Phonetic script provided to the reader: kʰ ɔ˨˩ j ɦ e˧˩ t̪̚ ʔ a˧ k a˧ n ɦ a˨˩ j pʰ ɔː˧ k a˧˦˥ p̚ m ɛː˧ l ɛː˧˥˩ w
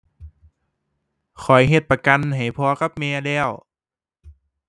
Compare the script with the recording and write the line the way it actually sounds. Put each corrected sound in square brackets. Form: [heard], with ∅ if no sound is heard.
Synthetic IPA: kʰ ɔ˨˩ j ɦ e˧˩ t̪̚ [p] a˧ k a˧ n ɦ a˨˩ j pʰ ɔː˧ k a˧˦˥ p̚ m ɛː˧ l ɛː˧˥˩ w

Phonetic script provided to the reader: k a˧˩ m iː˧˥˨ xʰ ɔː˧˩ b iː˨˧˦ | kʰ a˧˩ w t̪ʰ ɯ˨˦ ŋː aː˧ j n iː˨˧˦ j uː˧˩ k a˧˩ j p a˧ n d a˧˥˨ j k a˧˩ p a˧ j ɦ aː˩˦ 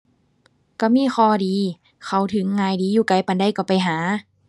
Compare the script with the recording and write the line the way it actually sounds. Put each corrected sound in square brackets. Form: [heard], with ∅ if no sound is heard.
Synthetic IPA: k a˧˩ m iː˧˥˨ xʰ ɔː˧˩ [d] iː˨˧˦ | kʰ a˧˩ w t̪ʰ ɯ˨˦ ŋː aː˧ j [d] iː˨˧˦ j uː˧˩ k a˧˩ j p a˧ n d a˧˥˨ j k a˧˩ p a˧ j ɦ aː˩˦

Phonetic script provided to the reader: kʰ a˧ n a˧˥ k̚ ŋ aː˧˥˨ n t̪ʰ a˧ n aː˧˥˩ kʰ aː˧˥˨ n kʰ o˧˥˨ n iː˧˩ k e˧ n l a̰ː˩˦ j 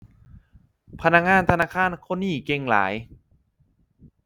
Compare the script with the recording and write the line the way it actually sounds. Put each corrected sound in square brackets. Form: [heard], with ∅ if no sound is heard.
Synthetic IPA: [pʰ] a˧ n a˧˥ k̚ ŋ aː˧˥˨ n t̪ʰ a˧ n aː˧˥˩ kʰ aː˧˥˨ n kʰ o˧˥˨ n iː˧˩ k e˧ [ŋ] l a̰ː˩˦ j

